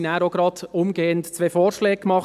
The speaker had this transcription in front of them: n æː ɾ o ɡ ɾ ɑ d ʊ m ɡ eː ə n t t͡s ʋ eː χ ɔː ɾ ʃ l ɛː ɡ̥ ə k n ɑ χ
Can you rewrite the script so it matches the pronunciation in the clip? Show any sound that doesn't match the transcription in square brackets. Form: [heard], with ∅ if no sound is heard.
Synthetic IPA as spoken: n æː ɾ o ɡ ɾ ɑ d ʊ m ɡ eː ə n t t͡s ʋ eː [f] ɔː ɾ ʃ l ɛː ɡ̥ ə k [m] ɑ χ